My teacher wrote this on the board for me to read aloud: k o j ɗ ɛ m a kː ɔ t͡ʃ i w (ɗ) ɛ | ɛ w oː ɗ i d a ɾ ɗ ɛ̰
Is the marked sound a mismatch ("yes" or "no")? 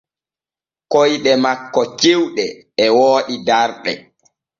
no